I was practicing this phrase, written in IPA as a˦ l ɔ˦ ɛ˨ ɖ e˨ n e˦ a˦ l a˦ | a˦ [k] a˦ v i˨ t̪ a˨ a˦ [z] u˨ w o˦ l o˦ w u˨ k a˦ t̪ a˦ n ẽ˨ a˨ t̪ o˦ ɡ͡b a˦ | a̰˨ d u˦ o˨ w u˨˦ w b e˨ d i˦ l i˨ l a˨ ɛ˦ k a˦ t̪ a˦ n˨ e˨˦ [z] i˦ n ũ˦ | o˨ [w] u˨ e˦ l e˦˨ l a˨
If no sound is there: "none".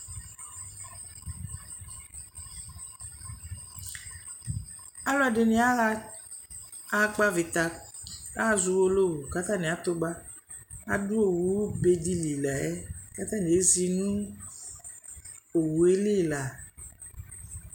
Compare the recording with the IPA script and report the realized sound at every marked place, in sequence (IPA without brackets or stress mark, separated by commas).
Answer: k͡p, z, z, w